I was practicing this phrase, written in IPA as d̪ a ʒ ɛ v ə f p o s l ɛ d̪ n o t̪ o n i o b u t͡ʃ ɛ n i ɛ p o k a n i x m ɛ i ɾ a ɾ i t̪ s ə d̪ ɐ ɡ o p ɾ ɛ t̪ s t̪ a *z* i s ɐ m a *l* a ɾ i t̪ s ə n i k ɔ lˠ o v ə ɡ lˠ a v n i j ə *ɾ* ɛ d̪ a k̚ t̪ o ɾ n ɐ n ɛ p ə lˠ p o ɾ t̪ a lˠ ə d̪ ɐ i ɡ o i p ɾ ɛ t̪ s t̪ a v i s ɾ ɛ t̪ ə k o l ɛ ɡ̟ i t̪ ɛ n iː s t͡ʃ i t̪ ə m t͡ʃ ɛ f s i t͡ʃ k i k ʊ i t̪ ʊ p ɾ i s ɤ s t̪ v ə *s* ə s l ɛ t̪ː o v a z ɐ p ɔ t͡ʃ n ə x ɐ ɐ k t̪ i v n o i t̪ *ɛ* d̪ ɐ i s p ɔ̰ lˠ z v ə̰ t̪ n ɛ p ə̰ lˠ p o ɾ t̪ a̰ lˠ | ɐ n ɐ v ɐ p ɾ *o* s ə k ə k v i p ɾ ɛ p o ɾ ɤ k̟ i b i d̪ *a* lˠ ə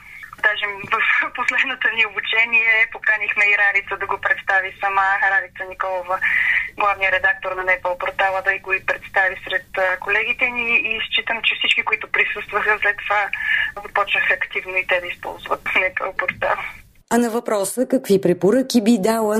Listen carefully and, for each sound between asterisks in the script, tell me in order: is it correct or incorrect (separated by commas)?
incorrect, incorrect, correct, incorrect, correct, incorrect, correct